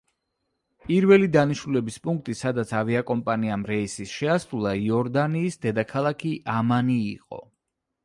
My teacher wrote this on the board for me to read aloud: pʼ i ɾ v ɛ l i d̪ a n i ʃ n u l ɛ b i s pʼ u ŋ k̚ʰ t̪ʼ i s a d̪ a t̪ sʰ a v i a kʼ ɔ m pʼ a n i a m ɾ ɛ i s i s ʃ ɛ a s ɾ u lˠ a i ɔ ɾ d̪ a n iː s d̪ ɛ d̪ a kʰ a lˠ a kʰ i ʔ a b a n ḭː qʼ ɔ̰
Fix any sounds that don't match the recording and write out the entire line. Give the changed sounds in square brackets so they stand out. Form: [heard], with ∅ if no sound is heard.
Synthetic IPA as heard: pʼ i ɾ v ɛ l i d̪ a n i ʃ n u l ɛ b i s pʼ u ŋ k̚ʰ t̪ʼ i s a d̪ a t̪ sʰ a v i a kʼ ɔ m pʼ a n i a m ɾ ɛ i s i s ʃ ɛ a s ɾ u lˠ a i ɔ ɾ d̪ a n iː s d̪ ɛ d̪ a kʰ a lˠ a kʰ i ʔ a [m] a n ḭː qʼ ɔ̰